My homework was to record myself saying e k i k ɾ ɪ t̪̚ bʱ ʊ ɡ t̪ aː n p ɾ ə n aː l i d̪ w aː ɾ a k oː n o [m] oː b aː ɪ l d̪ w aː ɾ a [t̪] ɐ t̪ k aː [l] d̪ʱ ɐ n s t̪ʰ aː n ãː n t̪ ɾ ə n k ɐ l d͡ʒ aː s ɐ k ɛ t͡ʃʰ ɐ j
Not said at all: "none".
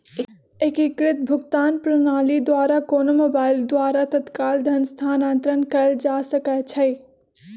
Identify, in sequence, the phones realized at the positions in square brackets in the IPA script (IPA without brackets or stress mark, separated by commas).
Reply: m, t̪, l